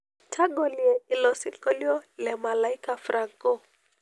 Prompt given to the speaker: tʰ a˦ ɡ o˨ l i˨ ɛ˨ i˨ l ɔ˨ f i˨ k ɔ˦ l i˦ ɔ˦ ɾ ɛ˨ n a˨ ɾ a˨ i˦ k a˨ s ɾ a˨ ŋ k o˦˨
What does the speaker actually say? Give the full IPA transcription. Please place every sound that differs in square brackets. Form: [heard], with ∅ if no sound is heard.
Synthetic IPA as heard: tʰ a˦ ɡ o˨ l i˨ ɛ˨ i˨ l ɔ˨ [s] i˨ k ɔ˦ l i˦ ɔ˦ [l] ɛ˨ [m] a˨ [l] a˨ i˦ k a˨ [f] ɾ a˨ ŋ k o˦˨

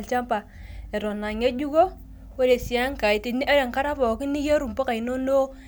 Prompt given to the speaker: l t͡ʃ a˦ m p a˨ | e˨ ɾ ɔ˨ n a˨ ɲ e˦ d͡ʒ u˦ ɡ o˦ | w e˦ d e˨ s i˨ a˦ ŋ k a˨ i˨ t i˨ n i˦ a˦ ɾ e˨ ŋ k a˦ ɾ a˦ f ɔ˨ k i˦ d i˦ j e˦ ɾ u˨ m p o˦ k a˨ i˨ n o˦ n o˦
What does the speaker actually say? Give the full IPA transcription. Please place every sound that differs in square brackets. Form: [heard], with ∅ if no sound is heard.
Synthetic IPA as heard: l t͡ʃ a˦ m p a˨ | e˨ ɾ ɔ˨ n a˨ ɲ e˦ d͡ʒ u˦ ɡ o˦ | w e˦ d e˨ s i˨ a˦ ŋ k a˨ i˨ t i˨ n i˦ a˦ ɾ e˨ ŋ k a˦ ɾ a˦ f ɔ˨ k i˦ [n] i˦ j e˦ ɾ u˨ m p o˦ k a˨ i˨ n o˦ n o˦

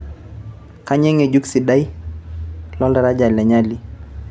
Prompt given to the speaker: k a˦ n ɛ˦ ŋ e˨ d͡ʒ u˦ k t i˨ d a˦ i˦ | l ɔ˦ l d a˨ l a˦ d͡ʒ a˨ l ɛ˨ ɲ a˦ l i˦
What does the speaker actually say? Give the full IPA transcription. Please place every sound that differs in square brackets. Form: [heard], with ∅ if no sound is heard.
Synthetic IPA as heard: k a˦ [ɲ] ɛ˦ ŋ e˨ d͡ʒ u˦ k [s] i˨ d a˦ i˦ | l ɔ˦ l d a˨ [ɾ] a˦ d͡ʒ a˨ l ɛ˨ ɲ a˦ l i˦

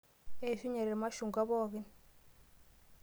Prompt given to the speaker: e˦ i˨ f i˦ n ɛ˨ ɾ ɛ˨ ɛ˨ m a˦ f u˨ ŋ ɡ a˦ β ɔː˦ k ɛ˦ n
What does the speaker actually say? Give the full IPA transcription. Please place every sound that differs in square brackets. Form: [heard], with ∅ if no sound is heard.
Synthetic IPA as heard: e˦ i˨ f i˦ [ɲ] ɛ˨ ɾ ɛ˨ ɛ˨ m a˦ [ʃ] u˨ ŋ ɡ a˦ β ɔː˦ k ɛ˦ n

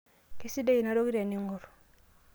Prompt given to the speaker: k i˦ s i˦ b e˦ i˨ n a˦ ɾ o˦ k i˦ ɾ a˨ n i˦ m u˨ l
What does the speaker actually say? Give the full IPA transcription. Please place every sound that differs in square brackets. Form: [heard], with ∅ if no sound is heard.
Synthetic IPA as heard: k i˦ s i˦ [d] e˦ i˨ n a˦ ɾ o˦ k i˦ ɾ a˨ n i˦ [ŋ] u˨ [ɾ]

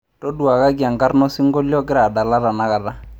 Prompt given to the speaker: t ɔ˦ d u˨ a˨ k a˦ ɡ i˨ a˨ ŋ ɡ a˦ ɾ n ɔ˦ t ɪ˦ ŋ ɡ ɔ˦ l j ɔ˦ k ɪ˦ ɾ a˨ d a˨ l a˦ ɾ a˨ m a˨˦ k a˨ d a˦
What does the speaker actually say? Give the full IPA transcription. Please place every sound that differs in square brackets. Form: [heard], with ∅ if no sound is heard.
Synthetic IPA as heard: t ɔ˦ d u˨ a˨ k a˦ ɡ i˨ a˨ ŋ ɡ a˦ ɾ n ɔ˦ [s] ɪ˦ ŋ ɡ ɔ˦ l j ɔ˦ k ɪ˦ ɾ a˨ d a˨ l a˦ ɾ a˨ [n] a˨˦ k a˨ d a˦

